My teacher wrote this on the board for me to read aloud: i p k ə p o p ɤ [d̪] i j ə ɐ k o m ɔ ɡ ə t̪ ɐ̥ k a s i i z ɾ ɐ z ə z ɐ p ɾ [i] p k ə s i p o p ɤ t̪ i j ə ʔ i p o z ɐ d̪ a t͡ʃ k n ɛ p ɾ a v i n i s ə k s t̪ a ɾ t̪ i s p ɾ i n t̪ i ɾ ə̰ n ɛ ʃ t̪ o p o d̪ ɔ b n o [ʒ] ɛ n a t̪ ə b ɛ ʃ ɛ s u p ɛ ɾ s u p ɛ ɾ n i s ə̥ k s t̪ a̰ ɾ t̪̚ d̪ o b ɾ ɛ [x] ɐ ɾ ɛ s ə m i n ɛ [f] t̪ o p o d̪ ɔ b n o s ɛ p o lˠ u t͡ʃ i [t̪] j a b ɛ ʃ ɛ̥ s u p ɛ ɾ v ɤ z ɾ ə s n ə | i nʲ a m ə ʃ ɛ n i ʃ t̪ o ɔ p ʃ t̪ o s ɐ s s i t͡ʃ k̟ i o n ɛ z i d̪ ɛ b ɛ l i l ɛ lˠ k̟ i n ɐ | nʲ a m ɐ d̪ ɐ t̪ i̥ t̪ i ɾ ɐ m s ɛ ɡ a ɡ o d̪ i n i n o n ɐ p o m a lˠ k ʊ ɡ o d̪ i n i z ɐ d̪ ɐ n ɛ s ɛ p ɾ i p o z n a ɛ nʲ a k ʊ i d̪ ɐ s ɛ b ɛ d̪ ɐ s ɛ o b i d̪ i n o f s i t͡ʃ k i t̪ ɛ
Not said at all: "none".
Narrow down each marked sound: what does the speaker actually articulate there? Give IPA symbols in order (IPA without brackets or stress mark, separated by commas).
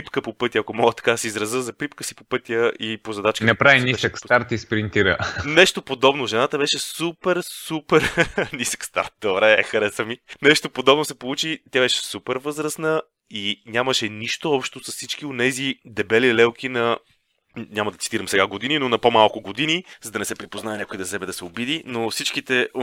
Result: t̪, i, ʒ, x, ʃ, t̪